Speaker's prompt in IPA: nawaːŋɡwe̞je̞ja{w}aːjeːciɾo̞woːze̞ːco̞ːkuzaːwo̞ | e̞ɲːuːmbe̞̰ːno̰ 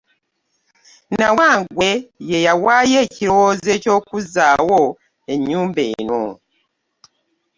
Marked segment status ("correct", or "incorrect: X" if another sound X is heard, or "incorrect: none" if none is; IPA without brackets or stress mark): correct